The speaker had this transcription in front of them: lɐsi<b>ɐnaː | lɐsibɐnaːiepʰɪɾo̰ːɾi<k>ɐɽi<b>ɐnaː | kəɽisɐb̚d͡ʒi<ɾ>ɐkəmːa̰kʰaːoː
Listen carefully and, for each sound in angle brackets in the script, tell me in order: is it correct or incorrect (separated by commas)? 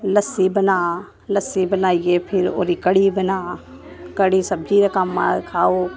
correct, correct, correct, correct